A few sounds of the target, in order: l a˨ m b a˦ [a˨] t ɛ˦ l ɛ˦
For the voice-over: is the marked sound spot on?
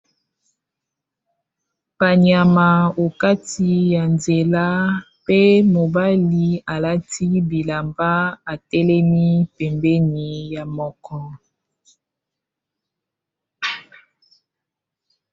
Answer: yes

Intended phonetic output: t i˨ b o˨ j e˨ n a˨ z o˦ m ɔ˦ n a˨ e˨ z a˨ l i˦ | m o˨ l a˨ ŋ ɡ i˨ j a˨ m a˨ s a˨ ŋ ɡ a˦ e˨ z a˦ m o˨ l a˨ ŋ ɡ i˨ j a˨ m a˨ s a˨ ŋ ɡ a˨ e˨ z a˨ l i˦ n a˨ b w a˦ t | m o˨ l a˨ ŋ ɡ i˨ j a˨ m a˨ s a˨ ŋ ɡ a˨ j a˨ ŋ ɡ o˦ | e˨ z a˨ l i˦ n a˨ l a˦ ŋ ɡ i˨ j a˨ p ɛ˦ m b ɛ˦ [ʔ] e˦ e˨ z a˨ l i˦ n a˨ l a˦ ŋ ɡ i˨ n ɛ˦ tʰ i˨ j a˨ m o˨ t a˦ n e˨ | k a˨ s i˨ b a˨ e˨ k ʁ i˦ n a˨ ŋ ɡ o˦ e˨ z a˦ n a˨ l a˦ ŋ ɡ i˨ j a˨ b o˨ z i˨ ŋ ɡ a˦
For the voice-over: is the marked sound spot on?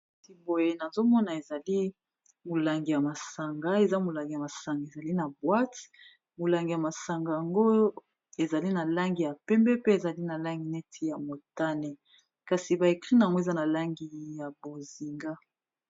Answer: no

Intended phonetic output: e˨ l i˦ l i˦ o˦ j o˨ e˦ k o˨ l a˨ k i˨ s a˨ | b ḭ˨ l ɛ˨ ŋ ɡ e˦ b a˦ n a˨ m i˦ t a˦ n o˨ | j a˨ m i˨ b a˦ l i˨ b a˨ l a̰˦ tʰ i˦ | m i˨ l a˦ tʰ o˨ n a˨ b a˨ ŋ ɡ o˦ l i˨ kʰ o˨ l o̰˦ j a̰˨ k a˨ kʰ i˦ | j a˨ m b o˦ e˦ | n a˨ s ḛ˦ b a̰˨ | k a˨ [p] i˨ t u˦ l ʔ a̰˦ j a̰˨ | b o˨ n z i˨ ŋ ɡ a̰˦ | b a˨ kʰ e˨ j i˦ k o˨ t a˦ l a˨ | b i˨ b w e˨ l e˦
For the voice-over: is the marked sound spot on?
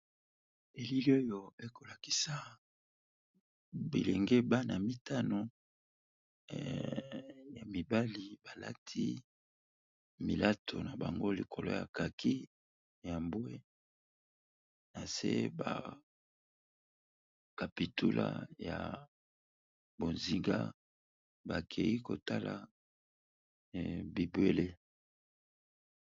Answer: yes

